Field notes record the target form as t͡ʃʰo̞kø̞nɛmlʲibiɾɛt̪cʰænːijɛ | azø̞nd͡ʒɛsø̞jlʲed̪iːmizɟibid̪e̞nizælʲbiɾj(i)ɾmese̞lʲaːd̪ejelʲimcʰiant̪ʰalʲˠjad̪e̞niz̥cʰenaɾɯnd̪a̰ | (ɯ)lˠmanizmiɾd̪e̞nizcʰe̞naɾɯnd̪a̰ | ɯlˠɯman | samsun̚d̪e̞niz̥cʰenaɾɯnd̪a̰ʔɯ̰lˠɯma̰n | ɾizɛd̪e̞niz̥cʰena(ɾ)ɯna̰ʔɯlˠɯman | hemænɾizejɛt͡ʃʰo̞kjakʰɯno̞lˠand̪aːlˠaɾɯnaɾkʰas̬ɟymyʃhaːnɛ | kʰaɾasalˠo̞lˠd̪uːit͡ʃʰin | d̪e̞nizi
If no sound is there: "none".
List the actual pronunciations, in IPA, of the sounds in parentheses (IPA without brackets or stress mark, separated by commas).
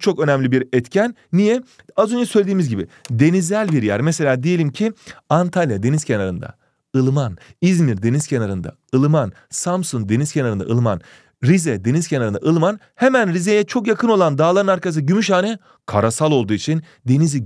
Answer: æ, ɯ, ɾ